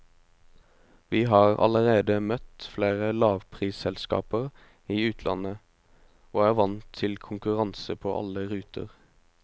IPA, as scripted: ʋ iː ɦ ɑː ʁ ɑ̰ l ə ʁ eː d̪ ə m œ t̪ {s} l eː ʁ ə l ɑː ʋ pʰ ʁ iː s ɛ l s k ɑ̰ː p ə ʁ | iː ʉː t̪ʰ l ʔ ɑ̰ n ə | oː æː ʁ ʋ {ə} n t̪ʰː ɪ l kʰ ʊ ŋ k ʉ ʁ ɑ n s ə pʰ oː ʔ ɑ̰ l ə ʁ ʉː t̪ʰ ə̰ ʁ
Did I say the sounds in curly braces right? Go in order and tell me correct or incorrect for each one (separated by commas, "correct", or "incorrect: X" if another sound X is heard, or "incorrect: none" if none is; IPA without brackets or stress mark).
incorrect: f, incorrect: ɑ